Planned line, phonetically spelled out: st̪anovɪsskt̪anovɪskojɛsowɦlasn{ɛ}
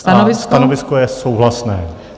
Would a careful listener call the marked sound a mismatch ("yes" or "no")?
yes